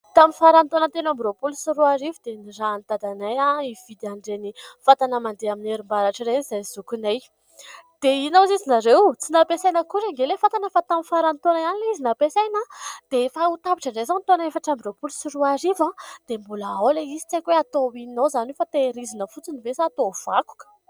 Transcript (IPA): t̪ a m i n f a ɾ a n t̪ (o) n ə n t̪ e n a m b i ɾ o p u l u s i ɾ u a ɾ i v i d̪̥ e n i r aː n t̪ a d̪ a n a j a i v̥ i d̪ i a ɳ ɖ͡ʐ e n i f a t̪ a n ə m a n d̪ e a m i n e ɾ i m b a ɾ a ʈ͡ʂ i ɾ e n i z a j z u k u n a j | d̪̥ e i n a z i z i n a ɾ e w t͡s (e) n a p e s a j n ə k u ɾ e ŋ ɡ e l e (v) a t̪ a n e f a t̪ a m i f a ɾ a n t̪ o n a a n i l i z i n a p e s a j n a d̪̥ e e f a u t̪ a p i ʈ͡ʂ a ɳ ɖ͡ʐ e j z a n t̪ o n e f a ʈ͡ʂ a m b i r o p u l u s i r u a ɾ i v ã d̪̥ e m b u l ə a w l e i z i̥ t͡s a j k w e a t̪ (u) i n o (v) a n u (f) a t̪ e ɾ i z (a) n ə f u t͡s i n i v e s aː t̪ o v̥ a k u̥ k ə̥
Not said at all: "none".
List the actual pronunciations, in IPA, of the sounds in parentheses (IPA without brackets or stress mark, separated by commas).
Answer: o, i, f, o, z, f, i